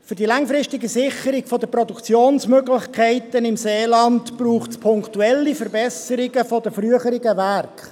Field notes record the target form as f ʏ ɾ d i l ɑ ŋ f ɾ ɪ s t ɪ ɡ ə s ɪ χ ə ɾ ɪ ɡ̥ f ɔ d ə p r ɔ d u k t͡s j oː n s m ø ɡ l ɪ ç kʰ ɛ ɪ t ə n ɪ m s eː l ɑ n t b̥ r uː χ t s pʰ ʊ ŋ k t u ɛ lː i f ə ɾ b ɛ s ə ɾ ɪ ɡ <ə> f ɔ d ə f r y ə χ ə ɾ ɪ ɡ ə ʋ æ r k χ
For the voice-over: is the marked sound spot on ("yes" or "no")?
yes